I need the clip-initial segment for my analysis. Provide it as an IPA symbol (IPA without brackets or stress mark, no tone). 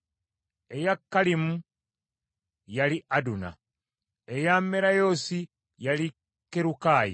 e